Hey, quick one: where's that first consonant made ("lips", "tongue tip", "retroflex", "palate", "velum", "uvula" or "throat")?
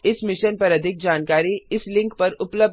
tongue tip